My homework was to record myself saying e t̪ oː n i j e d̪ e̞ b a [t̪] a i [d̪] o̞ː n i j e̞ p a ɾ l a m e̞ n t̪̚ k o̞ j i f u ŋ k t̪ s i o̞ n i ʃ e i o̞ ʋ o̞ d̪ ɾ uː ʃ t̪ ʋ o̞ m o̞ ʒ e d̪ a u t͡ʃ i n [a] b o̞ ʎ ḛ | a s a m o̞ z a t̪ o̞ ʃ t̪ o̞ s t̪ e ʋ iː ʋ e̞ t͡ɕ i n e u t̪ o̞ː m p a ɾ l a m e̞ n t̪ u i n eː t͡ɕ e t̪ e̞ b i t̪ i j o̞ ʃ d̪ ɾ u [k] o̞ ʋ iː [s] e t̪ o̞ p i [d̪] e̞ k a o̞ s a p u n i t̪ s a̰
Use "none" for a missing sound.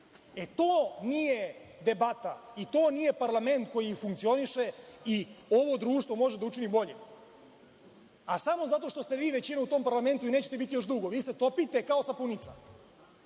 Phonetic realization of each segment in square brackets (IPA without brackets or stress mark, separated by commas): t̪, t̪, i, ɡ, s, t̪